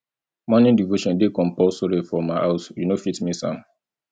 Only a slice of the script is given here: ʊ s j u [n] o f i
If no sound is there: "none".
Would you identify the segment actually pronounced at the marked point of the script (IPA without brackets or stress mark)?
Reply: n